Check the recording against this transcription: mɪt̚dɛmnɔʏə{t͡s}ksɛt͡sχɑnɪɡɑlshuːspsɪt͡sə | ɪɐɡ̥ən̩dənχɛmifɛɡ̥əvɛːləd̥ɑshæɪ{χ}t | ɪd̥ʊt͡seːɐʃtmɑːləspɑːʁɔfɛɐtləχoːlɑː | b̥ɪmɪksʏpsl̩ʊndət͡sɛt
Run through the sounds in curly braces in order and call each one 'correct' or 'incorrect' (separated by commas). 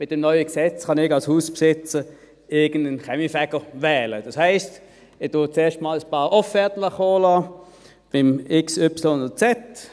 incorrect, incorrect